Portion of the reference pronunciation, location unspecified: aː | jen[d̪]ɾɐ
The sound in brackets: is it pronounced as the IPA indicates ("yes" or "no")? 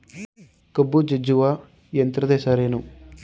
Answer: no